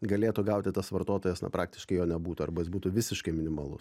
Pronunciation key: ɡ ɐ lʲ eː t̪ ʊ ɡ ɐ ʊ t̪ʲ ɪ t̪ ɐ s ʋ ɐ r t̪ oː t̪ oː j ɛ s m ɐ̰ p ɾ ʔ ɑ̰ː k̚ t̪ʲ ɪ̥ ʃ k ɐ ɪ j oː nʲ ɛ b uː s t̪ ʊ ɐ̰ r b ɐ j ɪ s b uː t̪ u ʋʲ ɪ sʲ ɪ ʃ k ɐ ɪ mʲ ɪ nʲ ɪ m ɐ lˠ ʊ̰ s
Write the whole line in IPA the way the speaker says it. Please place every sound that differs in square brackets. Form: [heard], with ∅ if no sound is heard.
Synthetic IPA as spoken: ɡ ɐ lʲ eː t̪ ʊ ɡ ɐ ʊ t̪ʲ ɪ t̪ ɐ s ʋ ɐ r t̪ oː t̪ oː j ɛ s [n] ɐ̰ p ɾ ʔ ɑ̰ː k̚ t̪ʲ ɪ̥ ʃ k ɐ ɪ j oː nʲ ɛ b uː [∅] t̪ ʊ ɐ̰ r b ɐ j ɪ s b uː t̪ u ʋʲ ɪ sʲ ɪ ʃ k ɐ ɪ mʲ ɪ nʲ ɪ m ɐ lˠ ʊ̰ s